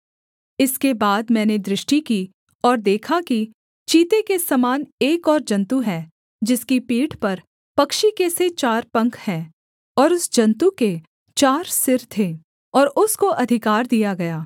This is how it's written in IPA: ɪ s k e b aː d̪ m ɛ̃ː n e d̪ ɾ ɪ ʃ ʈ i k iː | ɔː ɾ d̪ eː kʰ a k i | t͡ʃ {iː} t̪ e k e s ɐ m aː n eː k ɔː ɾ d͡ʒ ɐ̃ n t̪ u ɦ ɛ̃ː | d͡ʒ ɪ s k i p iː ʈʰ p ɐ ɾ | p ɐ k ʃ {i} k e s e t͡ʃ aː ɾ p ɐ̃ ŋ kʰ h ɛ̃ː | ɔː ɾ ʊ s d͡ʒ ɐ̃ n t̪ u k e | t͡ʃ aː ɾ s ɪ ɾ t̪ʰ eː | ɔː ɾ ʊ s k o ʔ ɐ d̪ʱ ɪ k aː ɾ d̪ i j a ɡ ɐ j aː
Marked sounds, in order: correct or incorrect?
correct, correct

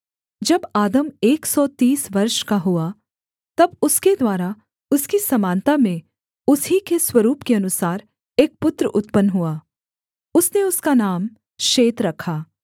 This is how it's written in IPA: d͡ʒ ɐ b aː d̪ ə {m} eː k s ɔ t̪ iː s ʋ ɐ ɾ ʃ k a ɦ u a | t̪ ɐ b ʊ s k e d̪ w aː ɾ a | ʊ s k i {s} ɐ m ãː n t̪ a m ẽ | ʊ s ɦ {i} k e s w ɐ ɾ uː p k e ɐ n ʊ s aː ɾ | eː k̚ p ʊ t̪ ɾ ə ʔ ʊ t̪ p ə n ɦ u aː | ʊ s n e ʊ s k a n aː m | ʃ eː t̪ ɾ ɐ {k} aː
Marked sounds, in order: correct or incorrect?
correct, correct, correct, incorrect: kʰ

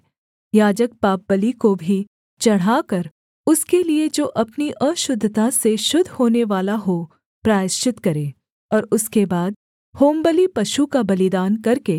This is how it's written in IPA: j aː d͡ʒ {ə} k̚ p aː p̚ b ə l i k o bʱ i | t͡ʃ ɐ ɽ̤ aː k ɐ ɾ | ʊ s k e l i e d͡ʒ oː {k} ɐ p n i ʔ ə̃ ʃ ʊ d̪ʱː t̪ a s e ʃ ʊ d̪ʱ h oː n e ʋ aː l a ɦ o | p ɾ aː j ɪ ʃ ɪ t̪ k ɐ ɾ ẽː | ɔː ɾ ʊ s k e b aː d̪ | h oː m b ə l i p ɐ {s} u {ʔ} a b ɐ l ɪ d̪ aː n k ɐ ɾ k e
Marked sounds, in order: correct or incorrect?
correct, incorrect: ʔ, incorrect: ʃ, incorrect: k

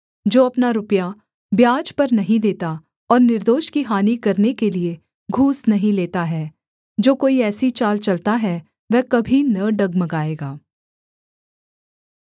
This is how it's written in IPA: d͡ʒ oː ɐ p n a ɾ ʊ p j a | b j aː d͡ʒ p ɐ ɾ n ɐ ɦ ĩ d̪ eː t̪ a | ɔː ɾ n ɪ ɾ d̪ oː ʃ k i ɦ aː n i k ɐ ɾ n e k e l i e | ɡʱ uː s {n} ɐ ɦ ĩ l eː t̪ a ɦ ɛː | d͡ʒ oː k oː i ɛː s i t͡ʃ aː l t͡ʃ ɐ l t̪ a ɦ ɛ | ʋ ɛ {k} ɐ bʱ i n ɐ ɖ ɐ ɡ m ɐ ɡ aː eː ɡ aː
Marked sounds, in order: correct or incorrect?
correct, correct

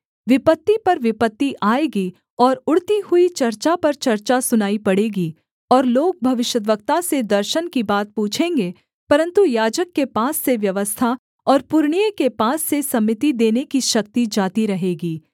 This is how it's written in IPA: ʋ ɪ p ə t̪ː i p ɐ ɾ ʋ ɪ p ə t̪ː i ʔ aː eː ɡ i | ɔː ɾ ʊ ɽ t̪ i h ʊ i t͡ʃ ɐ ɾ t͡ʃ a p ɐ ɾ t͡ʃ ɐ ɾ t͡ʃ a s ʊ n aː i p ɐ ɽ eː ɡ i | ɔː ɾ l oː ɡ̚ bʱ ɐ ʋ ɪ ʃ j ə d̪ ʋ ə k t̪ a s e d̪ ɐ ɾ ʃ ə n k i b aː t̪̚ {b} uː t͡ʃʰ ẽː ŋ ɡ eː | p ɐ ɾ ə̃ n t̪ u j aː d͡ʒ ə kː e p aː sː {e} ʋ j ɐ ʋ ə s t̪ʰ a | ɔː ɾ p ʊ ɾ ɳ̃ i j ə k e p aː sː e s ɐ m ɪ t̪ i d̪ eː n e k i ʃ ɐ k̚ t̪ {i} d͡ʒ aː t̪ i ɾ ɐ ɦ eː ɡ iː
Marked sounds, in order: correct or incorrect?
incorrect: p, correct, correct

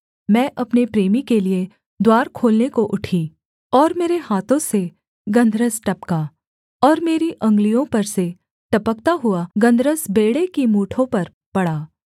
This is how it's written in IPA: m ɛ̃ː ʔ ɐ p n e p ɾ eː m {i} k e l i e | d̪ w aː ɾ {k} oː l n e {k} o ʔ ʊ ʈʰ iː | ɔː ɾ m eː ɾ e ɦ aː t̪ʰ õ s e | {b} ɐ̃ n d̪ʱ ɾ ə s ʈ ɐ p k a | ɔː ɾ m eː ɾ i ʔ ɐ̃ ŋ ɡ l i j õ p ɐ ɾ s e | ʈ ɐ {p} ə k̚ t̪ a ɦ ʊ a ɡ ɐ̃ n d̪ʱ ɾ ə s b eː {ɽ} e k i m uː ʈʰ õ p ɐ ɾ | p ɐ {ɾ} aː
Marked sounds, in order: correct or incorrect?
correct, incorrect: kʰ, correct, incorrect: ɡ, correct, correct, incorrect: ɽ

